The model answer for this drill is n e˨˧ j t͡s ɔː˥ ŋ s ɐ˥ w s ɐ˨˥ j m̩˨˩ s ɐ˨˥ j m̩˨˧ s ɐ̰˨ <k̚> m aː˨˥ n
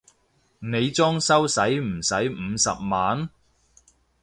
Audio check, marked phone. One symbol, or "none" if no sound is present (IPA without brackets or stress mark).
p̚